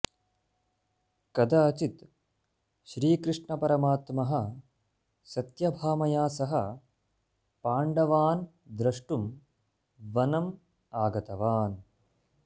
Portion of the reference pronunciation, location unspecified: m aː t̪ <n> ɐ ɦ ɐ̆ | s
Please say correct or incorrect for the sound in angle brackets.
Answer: incorrect